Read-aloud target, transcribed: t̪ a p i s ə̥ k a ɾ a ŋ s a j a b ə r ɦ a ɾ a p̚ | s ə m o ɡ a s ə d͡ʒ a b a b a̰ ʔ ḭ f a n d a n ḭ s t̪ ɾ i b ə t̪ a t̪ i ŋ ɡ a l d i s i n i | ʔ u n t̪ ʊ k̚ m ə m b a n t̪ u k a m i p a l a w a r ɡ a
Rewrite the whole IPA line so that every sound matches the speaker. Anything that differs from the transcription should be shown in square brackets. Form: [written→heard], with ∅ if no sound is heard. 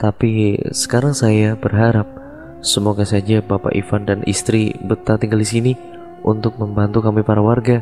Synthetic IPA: t̪ a p i s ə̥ k a ɾ a ŋ s a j a b ə r ɦ a ɾ a p̚ | s ə m o ɡ a s [ə→a] d͡ʒ a b a [b→p] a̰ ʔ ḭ f a n d a n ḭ s t̪ ɾ i b ə t̪ a t̪ i ŋ ɡ a l d i s i n i | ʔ u n t̪ ʊ k̚ m ə m b a n t̪ u k a m i p a [l→ɾ] a w a r ɡ a